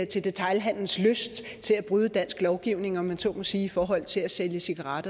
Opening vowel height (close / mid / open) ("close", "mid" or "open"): mid